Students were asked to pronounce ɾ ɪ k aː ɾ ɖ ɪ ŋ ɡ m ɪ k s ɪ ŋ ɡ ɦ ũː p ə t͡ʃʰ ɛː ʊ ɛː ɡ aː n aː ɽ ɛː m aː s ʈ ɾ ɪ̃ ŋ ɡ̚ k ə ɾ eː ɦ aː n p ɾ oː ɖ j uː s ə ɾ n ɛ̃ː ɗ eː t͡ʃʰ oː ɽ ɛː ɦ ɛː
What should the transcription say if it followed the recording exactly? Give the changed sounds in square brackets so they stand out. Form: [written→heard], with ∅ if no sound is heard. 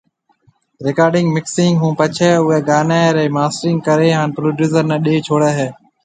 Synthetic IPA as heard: ɾ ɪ k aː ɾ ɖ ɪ ŋ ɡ m ɪ k s ɪ ŋ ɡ ɦ ũː p ə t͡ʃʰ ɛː ʊ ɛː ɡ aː n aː [ɽ→ɾ] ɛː m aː s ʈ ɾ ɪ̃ ŋ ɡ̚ k ə ɾ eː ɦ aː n p ɾ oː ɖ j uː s ə ɾ n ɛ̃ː ɗ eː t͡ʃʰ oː ɽ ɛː ɦ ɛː